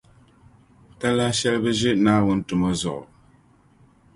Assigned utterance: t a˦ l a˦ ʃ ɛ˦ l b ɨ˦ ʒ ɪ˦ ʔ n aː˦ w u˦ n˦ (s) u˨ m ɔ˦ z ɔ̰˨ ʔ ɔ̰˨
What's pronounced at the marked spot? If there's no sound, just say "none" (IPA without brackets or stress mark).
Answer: t